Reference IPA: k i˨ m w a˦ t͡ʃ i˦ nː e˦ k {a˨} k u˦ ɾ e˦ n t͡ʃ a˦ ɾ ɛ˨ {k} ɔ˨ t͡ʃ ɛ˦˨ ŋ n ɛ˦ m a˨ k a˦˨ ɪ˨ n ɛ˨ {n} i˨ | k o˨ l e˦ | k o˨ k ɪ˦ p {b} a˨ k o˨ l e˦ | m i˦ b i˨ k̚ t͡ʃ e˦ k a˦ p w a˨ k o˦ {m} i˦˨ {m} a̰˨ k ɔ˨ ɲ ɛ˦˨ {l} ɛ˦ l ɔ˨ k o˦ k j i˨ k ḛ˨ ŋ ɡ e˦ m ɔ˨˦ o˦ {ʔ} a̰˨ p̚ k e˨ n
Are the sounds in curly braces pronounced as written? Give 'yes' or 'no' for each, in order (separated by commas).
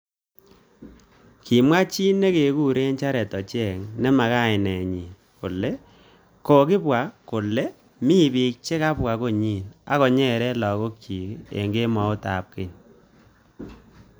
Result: no, no, no, no, no, no, no, no